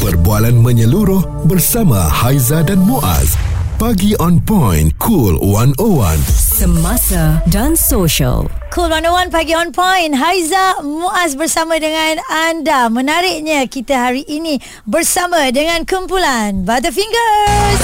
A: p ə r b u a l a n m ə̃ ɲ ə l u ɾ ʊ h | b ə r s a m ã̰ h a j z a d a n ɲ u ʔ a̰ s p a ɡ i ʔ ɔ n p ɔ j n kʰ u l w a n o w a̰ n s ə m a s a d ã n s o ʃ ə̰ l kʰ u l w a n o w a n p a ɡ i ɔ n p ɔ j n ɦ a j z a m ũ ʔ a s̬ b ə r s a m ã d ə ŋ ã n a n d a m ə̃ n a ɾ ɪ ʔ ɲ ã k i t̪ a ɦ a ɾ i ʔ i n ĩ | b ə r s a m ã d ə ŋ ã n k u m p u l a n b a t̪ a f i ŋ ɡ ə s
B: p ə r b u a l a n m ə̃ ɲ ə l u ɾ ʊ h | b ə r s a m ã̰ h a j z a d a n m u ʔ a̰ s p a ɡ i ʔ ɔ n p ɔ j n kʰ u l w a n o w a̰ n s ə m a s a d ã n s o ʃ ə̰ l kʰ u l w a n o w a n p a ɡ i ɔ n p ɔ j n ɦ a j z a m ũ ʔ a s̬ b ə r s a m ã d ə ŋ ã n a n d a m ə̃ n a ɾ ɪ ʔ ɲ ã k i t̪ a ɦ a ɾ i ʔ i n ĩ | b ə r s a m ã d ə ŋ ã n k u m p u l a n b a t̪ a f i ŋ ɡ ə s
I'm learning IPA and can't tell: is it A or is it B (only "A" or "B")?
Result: B